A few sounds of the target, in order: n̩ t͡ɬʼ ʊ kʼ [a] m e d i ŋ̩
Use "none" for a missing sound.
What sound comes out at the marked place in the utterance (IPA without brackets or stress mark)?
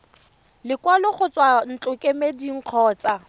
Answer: e